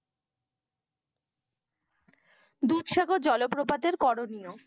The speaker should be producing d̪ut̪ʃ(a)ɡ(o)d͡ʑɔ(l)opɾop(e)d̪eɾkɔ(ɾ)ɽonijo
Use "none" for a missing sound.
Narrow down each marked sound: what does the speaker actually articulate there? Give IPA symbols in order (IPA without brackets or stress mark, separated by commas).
a, o, l, a, none